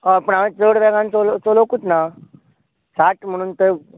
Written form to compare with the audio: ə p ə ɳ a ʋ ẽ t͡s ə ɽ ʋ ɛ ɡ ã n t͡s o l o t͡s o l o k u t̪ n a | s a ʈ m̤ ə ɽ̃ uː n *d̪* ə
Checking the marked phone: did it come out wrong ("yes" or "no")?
yes